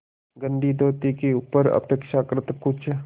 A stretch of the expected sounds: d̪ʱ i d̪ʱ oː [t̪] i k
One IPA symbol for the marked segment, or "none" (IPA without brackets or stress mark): t̪